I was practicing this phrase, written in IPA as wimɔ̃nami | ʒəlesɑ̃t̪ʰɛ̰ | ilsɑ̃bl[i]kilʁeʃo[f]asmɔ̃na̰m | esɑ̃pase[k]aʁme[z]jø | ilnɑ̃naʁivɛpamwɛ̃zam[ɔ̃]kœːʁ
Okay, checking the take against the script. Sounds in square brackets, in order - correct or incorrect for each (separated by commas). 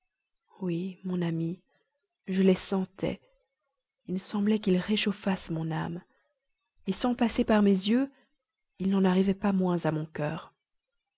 incorrect, correct, incorrect, correct, correct